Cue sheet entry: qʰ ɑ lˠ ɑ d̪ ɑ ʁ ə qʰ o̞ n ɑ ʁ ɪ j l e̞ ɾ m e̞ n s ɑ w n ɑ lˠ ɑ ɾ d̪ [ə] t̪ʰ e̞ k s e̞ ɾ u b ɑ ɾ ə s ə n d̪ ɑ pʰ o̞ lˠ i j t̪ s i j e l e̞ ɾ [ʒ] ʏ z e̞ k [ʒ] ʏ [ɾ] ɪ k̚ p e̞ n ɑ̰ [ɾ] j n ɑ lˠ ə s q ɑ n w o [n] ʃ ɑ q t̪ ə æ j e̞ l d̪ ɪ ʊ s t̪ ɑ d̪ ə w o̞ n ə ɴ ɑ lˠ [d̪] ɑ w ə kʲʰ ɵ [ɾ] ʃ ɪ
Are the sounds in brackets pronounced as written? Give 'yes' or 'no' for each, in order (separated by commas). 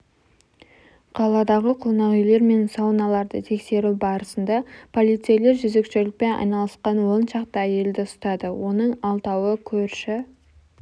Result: yes, yes, no, no, no, yes, no, yes